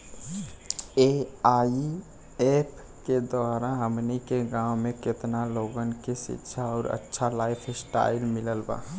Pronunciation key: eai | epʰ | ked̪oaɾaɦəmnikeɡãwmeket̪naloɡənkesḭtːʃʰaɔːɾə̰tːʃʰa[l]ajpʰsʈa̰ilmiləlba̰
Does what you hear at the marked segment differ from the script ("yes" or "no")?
no